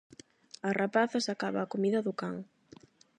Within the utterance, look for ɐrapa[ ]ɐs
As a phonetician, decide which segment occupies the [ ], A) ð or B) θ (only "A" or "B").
B